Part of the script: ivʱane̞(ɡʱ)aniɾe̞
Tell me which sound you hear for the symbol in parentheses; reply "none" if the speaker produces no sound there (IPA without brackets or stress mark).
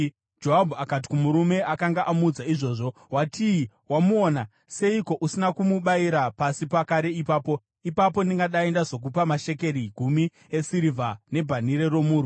bʱ